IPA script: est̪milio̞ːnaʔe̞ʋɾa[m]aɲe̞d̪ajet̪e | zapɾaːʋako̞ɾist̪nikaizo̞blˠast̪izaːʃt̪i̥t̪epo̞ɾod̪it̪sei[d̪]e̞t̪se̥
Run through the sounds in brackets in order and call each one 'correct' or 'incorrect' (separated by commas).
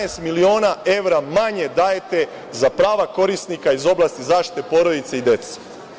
correct, correct